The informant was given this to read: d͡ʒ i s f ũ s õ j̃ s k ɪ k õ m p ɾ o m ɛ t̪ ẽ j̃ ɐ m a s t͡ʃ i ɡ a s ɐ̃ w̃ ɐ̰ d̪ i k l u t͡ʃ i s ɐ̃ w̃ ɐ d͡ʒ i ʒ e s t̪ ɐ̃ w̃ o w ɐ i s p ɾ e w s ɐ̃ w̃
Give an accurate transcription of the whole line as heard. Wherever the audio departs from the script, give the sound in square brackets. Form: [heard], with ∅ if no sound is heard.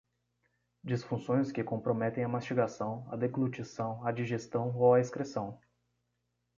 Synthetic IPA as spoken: d͡ʒ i s f ũ s õ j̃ s k ɪ k õ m p ɾ o m ɛ t̪ ẽ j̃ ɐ m a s t͡ʃ i ɡ a s ɐ̃ w̃ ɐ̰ d̪ [e] k l u t͡ʃ i s ɐ̃ w̃ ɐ d͡ʒ i ʒ e s t̪ ɐ̃ w̃ o w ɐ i s [k] ɾ e [∅] s ɐ̃ w̃

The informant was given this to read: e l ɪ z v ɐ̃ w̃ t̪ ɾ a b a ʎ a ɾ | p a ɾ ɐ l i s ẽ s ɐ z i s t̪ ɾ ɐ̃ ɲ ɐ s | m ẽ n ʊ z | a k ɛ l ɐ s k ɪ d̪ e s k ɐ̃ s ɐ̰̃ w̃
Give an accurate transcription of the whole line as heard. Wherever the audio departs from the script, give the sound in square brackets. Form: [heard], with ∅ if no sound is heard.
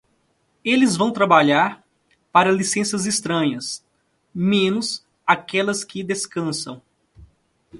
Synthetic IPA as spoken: e l ɪ z v ɐ̃ w̃ t̪ ɾ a b a ʎ a ɾ | p a ɾ ɐ l i s ẽ s ɐ z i s t̪ ɾ ɐ̃ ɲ ɐ s | m ẽ n ʊ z | a k ɛ l ɐ s k ɪ d̪ e s k ɐ̃ s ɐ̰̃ w̃

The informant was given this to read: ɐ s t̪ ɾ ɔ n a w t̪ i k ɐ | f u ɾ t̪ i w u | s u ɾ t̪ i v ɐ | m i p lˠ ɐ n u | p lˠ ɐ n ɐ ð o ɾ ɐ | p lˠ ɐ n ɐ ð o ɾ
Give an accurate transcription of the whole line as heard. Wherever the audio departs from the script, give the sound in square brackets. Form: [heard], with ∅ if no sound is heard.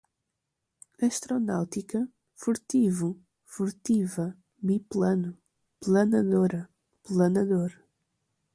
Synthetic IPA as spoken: ɐ [ʃ] t̪ ɾ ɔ n a w t̪ i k ɐ | f u ɾ t̪ i [v] u | [f] u ɾ t̪ i v ɐ | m i p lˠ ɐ n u | p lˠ ɐ n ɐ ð o ɾ ɐ | p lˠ ɐ n ɐ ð o ɾ

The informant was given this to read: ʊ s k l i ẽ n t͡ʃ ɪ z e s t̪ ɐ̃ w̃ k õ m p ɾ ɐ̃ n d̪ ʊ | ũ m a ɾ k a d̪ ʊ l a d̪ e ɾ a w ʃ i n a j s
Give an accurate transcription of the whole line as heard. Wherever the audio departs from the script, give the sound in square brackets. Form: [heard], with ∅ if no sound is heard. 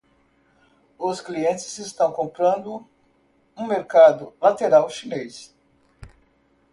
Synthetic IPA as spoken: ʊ s k l i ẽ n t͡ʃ ɪ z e s t̪ ɐ̃ w̃ k õ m p ɾ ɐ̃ n d̪ ʊ | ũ m [e] ɾ k a d̪ ʊ l a [t̪] e ɾ a w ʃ i n [e] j s

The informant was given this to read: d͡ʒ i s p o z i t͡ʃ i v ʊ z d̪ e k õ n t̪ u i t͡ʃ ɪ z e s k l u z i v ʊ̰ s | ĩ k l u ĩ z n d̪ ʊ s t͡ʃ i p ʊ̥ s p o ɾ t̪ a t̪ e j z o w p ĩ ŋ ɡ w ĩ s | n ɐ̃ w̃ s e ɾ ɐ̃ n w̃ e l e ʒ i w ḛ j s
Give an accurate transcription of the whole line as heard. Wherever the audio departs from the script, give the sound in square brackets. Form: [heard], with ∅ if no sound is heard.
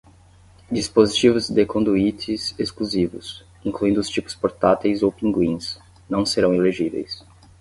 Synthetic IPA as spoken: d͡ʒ i s p o z i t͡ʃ i v ʊ z d̪ e k õ n [d̪] u i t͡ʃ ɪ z e s k l u z i v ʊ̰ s | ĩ k l u ĩ [∅] n d̪ ʊ s t͡ʃ i p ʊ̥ s p o ɾ t̪ a t̪ e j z o w p ĩ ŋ ɡ w ĩ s | n ɐ̃ w̃ s e ɾ ɐ̃ [∅] w̃ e l e ʒ i [v] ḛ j s

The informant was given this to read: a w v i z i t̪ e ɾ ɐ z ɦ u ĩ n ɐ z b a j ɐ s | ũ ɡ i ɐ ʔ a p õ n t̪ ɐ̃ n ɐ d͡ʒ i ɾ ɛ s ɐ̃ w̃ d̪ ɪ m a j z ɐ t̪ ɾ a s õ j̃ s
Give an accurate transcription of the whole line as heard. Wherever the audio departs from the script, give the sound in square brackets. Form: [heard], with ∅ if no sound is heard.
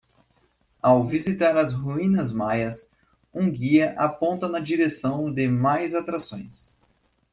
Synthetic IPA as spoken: a w v i z i t̪ [a] ɾ ɐ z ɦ u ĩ n ɐ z [m] a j ɐ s | ũ ɡ i ɐ ʔ a p õ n t̪ [ɐ] n ɐ d͡ʒ i ɾ [e] s ɐ̃ w̃ d̪ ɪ m a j z [a] t̪ ɾ a s õ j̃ s

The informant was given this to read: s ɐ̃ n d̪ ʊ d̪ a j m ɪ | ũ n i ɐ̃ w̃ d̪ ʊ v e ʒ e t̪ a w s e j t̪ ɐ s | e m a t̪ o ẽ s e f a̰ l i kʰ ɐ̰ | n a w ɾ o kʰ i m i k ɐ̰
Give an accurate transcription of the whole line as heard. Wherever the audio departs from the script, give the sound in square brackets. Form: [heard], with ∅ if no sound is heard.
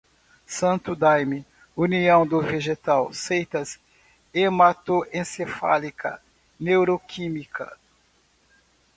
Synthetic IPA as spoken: s ɐ̃ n [t̪] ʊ d̪ a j m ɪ | [u] n i ɐ̃ w̃ d̪ ʊ v e ʒ e t̪ a w s e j t̪ ɐ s | e m a t̪ o ẽ s e f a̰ l i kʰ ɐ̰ | n [e] w ɾ o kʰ i m i k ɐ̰

